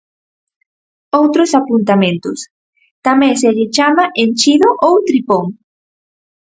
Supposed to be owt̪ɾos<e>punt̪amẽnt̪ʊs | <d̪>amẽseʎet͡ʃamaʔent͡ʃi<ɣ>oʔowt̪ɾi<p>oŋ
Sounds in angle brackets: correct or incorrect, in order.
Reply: incorrect, incorrect, incorrect, correct

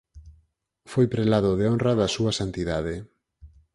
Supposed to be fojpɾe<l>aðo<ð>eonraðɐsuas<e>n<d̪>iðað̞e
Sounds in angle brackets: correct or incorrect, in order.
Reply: correct, correct, incorrect, incorrect

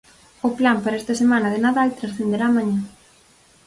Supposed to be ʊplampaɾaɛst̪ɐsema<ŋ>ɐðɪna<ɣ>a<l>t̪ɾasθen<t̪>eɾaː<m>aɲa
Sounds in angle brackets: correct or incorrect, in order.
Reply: incorrect, incorrect, correct, incorrect, correct

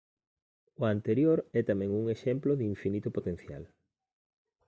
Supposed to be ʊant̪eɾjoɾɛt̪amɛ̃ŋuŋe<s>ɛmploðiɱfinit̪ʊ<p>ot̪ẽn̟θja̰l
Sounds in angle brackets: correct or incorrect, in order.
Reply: incorrect, correct

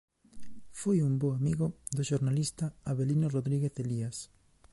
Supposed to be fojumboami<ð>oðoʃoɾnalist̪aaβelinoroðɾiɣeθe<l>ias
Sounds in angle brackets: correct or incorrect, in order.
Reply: incorrect, correct

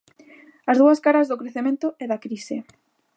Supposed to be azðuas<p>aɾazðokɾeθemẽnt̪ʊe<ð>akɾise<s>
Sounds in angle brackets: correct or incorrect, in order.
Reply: incorrect, correct, incorrect

